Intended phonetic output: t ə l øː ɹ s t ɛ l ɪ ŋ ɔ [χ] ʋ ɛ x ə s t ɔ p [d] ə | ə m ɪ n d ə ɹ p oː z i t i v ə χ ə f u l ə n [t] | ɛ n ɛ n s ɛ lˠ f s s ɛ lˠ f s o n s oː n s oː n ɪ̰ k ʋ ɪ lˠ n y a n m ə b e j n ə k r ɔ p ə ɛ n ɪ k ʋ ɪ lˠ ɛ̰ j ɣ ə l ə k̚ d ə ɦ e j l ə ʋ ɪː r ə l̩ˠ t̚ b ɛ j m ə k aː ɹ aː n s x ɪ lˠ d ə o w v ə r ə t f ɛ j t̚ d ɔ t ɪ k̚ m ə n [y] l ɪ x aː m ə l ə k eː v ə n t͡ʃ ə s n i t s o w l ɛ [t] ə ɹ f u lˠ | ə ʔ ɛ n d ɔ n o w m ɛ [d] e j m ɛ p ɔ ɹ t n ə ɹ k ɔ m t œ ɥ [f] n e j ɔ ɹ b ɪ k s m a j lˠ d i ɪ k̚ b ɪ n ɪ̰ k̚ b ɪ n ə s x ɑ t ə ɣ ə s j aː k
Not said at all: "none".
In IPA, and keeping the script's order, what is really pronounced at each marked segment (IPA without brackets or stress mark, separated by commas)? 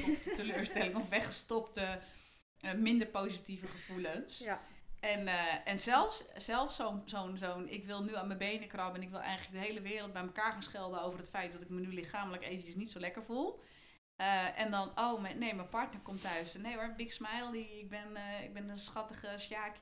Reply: f, t, s, y, k, n, s